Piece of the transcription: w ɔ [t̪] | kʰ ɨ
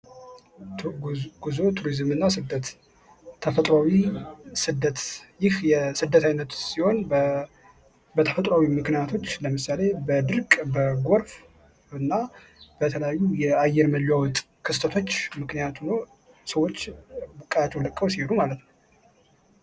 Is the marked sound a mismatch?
yes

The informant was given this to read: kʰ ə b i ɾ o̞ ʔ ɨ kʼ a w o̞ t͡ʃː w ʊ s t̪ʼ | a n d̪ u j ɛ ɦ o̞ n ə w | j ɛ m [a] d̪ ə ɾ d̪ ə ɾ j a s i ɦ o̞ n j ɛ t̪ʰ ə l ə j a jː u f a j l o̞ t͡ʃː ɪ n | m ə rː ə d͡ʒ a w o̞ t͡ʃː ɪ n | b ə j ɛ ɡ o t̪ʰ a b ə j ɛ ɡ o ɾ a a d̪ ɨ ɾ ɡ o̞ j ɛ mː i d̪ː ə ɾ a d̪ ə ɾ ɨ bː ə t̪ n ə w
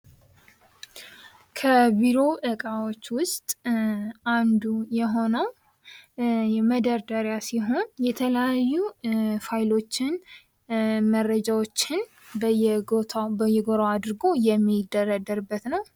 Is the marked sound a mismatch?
yes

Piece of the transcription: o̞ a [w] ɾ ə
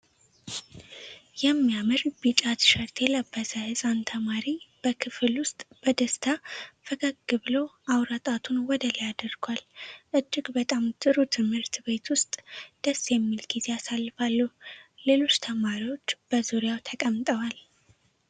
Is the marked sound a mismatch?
no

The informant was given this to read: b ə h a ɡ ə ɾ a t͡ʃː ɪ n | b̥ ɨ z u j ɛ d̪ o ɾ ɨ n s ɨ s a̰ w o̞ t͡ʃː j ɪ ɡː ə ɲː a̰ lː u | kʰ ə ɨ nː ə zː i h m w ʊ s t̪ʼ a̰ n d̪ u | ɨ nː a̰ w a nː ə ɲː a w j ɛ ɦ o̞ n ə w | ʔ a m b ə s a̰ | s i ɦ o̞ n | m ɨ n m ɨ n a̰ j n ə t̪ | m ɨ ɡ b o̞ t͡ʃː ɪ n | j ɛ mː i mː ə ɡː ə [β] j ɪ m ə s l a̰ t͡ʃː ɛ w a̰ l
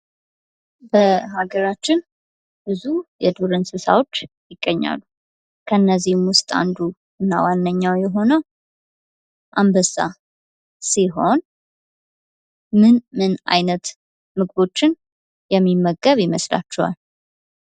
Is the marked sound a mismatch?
no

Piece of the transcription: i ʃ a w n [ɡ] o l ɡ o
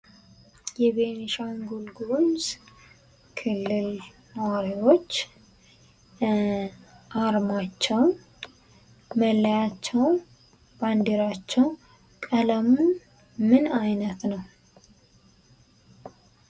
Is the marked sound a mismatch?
no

